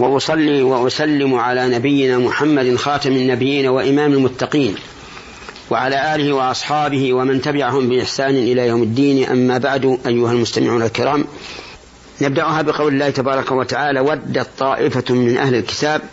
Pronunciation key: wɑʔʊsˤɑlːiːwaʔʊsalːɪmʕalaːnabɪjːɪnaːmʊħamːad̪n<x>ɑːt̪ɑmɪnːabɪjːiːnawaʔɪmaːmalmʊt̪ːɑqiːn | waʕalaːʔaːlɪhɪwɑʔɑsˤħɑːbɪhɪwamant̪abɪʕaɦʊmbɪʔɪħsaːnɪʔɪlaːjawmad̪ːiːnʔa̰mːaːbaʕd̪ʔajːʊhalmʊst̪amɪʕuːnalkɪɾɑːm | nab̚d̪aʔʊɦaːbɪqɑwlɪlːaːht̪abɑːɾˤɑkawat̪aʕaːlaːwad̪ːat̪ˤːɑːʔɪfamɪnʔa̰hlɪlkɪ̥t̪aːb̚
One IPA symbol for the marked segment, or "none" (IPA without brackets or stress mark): x